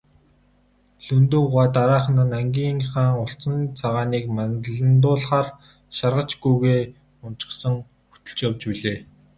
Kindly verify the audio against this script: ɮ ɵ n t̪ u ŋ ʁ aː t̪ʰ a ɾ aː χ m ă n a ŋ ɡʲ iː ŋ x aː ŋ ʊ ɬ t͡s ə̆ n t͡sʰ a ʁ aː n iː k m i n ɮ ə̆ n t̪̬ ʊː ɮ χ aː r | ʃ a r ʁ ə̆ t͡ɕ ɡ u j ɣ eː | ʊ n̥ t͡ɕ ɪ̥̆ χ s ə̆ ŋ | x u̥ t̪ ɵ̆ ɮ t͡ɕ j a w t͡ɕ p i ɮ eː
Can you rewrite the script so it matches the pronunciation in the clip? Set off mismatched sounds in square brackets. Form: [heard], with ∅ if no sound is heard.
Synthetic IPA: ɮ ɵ n t̪ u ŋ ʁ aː [t̪] a ɾ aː χ [n] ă n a ŋ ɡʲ iː ŋ [χ] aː ŋ ʊ ɬ t͡s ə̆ n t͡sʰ a ʁ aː n iː k m [a] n ɮ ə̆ n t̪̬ ʊː ɮ χ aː r | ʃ a r ʁ ə̆ t͡ɕ ɡ u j ɣ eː | ʊ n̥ t͡ɕ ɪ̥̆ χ s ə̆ ŋ | x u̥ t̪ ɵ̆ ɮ t͡ɕ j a w t͡ɕ p i ɮ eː